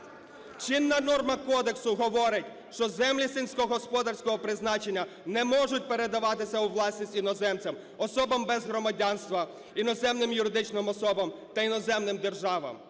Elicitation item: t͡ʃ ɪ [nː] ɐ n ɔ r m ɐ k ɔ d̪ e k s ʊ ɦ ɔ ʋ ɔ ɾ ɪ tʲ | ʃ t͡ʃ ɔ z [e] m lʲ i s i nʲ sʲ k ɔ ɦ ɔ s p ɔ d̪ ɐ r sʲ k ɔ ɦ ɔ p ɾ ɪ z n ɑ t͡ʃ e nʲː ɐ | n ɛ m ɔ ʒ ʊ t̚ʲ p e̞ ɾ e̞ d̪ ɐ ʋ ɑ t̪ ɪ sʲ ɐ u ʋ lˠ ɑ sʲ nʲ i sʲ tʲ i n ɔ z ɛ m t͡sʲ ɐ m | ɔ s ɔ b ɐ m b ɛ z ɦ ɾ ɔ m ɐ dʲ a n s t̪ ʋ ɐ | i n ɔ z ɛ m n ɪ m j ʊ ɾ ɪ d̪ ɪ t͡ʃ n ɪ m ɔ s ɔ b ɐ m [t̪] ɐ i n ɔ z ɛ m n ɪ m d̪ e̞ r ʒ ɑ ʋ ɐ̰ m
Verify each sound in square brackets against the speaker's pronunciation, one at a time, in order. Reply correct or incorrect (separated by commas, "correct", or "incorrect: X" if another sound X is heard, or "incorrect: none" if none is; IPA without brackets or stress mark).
correct, incorrect: ɛ, correct